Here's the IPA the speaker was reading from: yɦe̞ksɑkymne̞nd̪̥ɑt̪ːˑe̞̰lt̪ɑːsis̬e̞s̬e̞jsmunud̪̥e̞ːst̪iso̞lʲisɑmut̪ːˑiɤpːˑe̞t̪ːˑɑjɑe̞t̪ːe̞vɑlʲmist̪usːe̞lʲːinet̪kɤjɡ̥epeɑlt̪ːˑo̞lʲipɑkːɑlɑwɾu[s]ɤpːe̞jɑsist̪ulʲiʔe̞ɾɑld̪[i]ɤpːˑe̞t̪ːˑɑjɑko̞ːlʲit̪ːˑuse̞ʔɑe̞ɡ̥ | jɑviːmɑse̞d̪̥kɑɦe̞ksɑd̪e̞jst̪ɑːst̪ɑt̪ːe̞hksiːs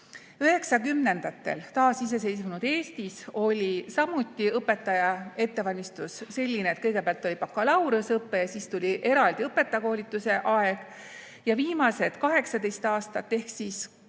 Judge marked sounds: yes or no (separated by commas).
yes, yes